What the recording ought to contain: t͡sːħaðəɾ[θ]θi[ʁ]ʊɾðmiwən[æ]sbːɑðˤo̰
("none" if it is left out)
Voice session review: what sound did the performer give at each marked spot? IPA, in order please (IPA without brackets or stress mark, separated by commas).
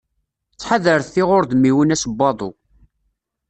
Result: θ, ʁ, æ